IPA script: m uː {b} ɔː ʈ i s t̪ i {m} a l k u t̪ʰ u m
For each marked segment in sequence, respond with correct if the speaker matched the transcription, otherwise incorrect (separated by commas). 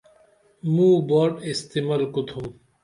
correct, correct